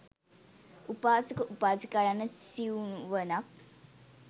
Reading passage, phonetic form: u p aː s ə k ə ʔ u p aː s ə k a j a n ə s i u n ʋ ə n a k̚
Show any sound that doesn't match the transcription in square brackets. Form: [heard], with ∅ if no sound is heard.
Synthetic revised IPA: u p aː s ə k ə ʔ u p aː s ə k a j a n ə s i u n ʋ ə n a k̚